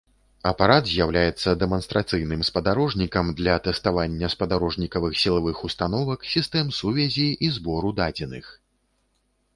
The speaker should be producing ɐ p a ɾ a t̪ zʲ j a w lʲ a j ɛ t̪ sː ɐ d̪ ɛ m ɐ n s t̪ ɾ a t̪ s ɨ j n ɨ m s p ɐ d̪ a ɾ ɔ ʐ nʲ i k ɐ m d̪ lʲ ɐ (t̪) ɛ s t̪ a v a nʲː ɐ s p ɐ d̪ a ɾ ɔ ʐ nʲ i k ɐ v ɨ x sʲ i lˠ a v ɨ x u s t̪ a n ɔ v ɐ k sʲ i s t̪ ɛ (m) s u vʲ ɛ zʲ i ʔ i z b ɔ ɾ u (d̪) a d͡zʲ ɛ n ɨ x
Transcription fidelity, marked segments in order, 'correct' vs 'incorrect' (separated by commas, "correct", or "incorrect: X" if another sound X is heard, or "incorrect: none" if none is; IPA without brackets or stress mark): correct, correct, correct